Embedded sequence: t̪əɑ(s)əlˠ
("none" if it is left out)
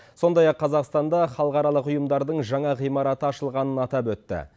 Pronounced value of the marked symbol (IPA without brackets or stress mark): ʃ